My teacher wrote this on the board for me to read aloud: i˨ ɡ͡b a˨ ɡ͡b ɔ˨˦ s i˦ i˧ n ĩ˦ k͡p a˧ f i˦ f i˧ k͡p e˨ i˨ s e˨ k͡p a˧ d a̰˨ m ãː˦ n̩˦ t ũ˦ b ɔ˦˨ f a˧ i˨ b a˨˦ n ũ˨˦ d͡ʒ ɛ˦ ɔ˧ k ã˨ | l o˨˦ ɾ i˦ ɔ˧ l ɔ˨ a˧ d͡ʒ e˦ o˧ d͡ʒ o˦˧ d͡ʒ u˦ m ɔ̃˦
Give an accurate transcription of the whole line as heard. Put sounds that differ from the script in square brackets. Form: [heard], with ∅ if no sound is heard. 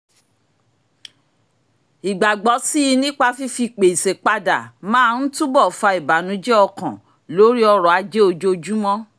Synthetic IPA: i˨ ɡ͡b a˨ ɡ͡b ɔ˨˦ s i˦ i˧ n ĩ˦ k͡p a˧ f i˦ f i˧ k͡p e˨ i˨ s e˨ k͡p a˧ d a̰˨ m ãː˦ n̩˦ t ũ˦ b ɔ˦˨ f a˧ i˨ b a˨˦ n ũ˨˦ d͡ʒ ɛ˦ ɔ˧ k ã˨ | l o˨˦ ɾ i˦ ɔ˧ [ɾ] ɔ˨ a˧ d͡ʒ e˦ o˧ d͡ʒ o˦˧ d͡ʒ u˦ m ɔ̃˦